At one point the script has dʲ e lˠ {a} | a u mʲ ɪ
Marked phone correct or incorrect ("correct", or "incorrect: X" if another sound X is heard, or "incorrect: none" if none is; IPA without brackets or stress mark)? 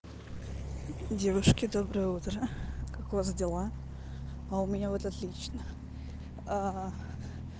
correct